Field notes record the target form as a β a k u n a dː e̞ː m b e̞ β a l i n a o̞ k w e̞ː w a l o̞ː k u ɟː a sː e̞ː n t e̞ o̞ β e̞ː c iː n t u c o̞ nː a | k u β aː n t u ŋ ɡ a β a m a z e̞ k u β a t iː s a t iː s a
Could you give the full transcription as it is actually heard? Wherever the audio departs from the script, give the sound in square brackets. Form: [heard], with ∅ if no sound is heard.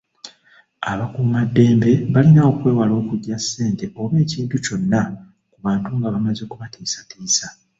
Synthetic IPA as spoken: a β a k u [m] a dː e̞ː m b e̞ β a l i n a o̞ k w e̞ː w a l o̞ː k u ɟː a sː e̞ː n t e̞ o̞ β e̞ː c iː n t u c o̞ nː a | k u β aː n t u ŋ ɡ a β a m a z e̞ k u β a t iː s a t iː s a